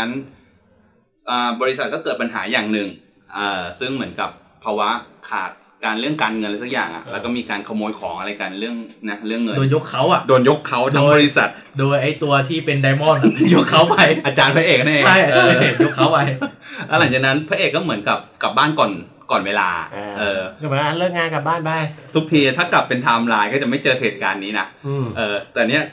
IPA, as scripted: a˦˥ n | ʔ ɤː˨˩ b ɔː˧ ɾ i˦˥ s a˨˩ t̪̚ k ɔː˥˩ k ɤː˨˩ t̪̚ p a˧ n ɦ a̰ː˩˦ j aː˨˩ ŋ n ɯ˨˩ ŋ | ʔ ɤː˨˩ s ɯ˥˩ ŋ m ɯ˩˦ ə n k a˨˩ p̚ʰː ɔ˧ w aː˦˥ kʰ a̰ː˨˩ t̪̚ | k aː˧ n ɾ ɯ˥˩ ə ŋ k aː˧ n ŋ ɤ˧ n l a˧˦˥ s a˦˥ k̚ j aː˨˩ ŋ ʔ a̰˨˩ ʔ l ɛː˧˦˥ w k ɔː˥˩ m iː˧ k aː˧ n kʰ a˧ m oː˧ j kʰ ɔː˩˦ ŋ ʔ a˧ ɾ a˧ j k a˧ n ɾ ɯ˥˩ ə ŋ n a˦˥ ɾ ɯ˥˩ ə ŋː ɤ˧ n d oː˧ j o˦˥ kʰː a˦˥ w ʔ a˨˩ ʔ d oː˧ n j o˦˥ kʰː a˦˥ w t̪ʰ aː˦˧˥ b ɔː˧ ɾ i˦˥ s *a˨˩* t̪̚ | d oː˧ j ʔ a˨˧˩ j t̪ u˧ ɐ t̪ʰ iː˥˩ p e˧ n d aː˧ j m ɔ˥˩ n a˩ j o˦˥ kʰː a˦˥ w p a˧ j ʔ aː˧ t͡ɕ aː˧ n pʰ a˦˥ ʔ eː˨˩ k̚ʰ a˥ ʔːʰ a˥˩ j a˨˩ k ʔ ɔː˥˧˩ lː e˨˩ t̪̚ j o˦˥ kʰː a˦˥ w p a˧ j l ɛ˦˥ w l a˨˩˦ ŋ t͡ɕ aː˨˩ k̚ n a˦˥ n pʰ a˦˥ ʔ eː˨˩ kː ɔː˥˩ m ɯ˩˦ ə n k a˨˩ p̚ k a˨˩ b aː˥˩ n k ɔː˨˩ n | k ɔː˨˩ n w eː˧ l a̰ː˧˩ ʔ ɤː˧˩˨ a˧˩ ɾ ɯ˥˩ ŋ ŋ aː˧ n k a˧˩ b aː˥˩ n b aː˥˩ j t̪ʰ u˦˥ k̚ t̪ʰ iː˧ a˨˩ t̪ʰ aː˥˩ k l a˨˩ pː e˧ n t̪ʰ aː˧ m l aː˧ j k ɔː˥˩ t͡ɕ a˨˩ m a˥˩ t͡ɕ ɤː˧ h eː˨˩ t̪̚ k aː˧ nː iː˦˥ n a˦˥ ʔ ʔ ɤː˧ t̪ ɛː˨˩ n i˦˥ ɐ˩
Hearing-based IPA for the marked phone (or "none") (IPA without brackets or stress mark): a˨˩